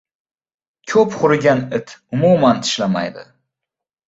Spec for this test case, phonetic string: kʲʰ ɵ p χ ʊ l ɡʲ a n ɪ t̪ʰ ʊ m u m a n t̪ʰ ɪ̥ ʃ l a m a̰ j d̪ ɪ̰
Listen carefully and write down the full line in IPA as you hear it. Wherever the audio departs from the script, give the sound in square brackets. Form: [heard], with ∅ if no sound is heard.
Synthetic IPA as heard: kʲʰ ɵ p χ ʊ [ɾ] ɡʲ a n ɪ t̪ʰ ʊ m u m a n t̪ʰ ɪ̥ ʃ l a m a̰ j d̪ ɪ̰